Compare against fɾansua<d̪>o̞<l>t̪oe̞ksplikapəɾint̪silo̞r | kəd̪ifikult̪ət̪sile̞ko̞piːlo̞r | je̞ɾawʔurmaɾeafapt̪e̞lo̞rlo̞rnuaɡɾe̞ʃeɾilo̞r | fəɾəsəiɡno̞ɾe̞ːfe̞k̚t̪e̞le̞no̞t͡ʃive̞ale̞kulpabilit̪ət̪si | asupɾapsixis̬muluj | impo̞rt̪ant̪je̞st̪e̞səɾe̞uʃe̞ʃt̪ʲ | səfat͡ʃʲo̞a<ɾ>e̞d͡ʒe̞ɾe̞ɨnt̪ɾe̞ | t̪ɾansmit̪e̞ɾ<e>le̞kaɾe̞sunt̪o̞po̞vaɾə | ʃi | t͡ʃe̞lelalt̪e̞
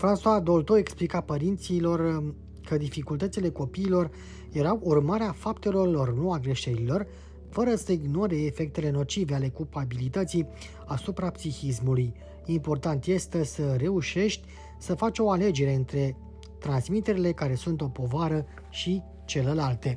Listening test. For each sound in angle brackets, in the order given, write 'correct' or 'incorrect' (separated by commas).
correct, correct, incorrect, incorrect